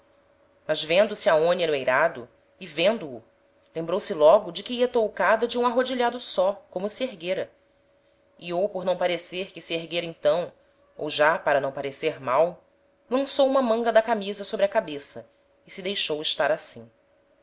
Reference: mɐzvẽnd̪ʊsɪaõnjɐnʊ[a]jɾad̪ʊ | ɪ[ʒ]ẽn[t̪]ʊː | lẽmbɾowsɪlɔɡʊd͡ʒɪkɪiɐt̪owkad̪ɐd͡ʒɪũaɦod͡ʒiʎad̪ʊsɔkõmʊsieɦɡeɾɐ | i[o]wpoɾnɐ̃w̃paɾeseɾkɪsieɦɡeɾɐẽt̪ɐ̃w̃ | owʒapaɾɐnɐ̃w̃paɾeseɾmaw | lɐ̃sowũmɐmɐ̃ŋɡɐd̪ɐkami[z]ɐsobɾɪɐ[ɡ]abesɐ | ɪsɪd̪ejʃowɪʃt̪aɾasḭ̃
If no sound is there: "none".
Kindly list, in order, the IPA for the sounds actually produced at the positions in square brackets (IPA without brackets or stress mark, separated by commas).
e, v, d̪, o, z, k